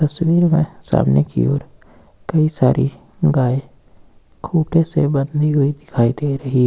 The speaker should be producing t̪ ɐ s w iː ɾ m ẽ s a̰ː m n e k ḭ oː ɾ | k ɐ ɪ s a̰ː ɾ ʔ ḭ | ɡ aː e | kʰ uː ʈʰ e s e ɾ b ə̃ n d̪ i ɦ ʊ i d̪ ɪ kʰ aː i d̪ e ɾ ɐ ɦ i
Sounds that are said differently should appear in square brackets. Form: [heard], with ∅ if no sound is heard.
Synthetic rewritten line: t̪ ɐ s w iː ɾ m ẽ s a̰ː m n e k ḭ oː ɾ | k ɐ [i] s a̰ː ɾ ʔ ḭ | ɡ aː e | kʰ uː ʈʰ e s e [∅] b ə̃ n d̪ i ɦ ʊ i d̪ ɪ kʰ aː i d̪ e ɾ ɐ ɦ i